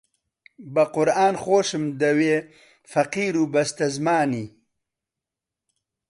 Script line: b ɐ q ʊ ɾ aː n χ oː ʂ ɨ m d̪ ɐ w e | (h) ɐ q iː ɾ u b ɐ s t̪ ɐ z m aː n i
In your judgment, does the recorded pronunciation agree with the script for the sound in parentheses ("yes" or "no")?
no